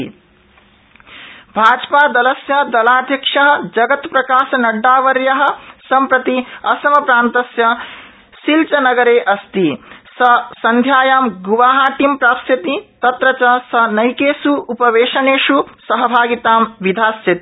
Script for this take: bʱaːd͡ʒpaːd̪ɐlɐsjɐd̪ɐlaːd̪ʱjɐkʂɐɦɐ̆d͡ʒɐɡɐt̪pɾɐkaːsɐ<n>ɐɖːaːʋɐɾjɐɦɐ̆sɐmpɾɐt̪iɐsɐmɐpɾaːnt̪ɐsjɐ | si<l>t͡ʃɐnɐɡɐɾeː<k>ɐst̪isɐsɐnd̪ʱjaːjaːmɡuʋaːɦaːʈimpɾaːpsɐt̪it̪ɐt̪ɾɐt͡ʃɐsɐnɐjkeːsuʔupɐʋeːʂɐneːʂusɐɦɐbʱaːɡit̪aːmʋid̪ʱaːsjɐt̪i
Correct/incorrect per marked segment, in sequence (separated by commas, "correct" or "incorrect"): correct, correct, incorrect